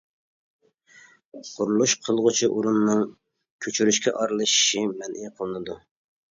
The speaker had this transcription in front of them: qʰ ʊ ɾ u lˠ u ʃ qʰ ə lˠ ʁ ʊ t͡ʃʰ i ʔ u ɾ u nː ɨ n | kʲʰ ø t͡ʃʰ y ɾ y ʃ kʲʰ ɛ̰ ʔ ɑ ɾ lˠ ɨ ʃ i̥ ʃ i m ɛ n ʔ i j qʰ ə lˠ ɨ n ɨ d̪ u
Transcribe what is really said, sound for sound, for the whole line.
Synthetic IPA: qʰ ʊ ɾ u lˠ u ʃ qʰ ə lˠ ʁ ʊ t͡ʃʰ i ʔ u ɾ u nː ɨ ŋ | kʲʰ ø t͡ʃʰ y ɾ y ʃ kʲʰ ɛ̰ ʔ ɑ ɾ lˠ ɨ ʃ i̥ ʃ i m ɛ n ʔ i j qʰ ə lˠ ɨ n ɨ d̪ u